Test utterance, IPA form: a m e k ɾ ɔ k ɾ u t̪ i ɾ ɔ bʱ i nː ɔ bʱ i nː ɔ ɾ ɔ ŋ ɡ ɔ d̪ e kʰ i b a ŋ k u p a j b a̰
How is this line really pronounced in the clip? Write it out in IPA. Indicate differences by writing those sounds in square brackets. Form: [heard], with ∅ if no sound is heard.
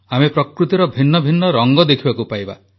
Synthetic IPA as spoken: a m e [p] ɾ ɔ k ɾ u t̪ i ɾ ɔ bʱ i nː ɔ bʱ i nː ɔ ɾ ɔ ŋ ɡ ɔ d̪ e kʰ i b a [∅] k u p a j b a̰